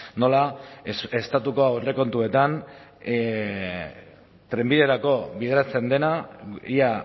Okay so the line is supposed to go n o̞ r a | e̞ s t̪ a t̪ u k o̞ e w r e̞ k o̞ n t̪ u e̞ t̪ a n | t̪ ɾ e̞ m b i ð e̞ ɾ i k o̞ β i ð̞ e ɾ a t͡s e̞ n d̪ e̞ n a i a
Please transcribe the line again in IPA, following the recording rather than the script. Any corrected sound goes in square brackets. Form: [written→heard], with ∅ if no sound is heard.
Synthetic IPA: n o̞ [r→l] a | e̞ s t̪ a t̪ u k o̞ [e→a] w r e̞ k o̞ n t̪ u e̞ t̪ a n | t̪ ɾ e̞ m b i ð e̞ ɾ [i→a] k o̞ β i ð̞ e ɾ a t͡s e̞ n d̪ e̞ n a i a